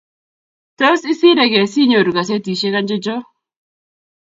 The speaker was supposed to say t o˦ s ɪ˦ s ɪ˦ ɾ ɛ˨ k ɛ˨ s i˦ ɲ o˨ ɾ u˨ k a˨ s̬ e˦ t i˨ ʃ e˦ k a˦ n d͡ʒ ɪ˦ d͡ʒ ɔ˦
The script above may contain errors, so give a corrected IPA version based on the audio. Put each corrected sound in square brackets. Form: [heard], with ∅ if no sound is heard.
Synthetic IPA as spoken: t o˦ s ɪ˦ s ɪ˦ ɾ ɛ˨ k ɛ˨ s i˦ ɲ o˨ ɾ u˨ k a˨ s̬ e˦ t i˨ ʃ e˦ k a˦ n d͡ʒ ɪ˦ d͡ʒ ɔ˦